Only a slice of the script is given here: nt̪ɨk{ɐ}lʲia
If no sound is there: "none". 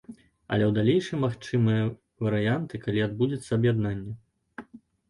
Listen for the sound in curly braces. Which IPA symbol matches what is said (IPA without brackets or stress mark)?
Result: a